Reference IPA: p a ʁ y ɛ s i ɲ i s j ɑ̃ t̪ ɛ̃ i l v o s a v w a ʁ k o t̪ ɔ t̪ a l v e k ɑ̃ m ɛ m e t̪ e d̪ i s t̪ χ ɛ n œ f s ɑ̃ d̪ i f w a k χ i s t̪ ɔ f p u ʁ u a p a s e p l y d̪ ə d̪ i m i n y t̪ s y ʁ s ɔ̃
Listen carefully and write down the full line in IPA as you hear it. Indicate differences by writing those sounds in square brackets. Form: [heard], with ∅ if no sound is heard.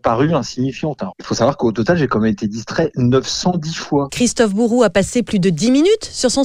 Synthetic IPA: p a ʁ y [ɛ̃] s i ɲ i [f] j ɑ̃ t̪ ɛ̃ i l [f] o s a v w a ʁ k o t̪ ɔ t̪ a l [ʒ] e k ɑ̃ m ɛ m e t̪ e d̪ i s t̪ χ ɛ n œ f s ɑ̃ d̪ i f w a k χ i s t̪ ɔ f [b] u ʁ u a p a s e p l y d̪ ə d̪ i m i n y t̪ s y ʁ s ɔ̃